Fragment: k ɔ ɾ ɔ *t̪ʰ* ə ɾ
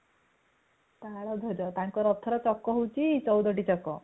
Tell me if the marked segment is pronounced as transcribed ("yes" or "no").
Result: yes